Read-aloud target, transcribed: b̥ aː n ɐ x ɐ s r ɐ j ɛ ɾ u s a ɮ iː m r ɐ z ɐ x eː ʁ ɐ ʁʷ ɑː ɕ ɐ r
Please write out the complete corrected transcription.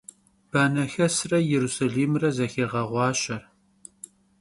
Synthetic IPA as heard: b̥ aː n ɐ x ɐ s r ɐ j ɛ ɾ u s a ɮ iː m r ɐ z ɐ x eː ʁ ɐ ʁʷ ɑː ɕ ɐ r